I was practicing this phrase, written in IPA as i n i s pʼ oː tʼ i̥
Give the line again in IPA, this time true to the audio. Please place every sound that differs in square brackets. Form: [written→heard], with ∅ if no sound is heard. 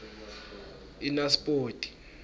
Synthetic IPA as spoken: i n [i→a] s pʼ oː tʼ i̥